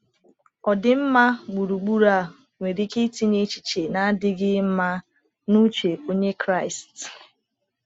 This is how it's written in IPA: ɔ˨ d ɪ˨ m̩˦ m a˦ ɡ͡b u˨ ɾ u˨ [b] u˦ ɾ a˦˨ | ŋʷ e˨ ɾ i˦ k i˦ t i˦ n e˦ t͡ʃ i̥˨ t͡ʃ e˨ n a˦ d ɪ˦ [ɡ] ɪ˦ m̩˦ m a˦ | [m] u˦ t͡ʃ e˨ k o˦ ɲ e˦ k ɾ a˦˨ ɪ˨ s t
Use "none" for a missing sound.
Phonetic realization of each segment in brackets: ɡ͡b, ɡ, n

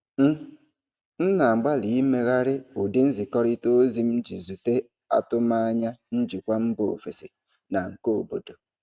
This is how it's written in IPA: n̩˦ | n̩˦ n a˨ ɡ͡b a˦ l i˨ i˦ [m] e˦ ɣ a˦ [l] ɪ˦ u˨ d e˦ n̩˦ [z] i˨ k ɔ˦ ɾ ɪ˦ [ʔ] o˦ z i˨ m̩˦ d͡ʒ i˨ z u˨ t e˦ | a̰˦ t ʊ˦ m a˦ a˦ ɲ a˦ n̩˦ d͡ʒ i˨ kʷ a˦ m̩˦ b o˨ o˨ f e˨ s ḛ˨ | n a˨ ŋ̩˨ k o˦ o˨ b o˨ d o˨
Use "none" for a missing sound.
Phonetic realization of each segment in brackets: m, ɾ, z, t

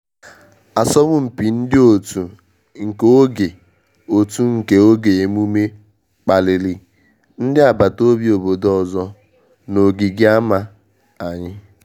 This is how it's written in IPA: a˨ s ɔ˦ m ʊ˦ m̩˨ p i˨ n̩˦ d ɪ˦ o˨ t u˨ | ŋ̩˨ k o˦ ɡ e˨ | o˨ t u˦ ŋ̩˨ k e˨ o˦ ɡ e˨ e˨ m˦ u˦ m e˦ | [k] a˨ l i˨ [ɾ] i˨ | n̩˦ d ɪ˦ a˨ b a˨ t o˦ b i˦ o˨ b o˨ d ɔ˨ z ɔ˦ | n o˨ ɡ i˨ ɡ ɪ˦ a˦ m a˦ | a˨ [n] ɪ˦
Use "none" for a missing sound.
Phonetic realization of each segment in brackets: k͡p, l, ɲ

